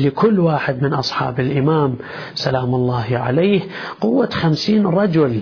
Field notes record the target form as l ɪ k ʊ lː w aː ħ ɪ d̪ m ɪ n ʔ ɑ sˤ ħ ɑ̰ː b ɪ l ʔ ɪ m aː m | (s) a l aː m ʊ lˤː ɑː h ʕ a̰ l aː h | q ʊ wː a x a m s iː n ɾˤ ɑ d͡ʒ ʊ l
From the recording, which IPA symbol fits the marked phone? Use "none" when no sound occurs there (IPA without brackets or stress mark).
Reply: s